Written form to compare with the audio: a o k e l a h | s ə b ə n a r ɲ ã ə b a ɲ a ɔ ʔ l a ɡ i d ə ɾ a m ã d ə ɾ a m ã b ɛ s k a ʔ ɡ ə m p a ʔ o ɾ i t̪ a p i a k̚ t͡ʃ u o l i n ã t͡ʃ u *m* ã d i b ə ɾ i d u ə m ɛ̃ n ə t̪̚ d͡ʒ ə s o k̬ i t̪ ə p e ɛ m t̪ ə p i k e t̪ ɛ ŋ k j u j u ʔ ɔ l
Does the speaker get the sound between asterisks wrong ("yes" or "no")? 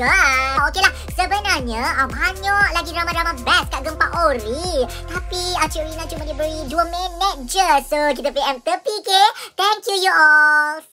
no